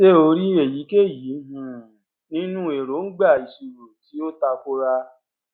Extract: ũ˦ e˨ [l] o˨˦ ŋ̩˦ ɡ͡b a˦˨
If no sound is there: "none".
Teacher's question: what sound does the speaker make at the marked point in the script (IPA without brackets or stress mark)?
ɾ